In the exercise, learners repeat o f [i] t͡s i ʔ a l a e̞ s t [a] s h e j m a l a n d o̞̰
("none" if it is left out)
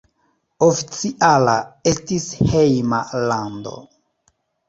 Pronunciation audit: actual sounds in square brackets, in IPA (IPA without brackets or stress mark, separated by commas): i, i